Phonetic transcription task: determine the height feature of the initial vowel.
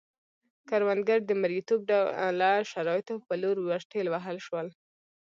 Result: low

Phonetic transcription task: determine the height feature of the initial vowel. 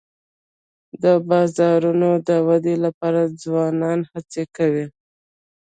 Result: mid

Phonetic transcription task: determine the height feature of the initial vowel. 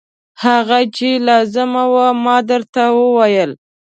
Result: low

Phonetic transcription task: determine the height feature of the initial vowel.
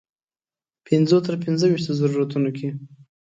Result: high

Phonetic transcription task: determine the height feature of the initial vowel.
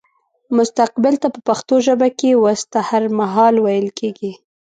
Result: high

